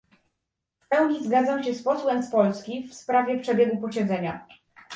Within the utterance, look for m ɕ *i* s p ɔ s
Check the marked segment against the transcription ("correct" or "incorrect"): incorrect